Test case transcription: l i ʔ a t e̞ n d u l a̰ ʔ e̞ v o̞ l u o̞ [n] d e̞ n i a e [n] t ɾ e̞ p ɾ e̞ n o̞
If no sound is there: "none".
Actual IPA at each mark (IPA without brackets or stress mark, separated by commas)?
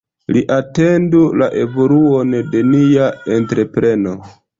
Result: n, n